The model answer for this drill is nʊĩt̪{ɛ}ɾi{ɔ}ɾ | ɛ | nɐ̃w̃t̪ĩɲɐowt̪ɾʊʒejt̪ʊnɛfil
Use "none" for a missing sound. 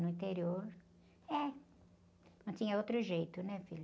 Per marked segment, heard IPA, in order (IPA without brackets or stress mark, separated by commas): e, o